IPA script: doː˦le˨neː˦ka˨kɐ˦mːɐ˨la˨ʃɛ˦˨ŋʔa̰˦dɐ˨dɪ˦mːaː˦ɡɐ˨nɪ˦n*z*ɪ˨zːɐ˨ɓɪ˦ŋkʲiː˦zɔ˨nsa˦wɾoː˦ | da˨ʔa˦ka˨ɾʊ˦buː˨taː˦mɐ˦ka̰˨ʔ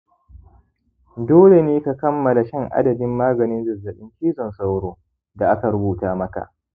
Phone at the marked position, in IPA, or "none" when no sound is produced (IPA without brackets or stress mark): z